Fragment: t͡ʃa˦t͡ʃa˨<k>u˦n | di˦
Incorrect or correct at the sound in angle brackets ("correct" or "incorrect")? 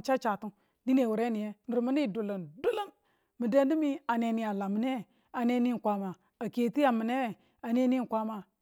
incorrect